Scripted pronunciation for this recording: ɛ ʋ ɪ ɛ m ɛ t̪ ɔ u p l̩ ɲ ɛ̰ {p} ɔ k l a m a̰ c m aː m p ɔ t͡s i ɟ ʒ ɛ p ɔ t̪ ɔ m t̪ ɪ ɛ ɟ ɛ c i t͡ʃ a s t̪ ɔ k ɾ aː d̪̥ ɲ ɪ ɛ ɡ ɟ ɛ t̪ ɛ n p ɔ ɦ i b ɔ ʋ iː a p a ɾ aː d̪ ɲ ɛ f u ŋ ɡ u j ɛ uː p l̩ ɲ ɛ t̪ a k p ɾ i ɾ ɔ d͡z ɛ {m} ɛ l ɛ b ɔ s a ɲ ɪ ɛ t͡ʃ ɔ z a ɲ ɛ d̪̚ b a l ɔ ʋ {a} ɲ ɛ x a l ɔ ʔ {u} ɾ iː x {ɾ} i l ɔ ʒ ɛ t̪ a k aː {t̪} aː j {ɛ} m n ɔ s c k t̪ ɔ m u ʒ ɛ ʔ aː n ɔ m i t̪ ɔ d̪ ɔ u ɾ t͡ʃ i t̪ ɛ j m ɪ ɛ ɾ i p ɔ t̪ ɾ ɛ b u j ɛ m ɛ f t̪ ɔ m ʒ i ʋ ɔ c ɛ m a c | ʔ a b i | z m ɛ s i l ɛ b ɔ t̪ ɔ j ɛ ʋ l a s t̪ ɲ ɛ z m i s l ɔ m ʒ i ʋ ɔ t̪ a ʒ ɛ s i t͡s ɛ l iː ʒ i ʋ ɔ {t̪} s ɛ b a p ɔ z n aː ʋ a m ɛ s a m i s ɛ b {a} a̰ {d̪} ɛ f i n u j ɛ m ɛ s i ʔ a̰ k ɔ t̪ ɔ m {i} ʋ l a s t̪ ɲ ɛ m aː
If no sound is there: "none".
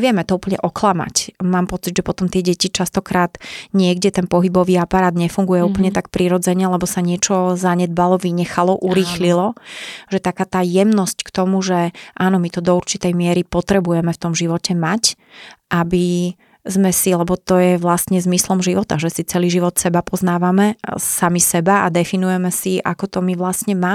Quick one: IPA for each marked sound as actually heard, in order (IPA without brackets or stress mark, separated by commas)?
ʔ, ɲ, i, u, l, t̪, ɛ, t̪, a, d̪, i